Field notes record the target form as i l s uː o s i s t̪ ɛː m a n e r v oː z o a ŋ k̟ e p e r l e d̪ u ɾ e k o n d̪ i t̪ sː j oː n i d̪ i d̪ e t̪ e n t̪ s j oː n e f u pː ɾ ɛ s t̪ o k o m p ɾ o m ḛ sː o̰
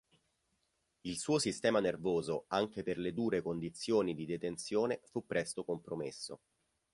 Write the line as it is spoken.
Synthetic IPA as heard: i l s uː o s i s t̪ ɛː m a n e r v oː z o a ŋ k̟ e p e r l e d̪ uː ɾ e k o n d̪ i t̪ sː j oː n i d̪ i d̪ e t̪ e n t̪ s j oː n e f u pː ɾ ɛ s t̪ o k o m p ɾ o m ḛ sː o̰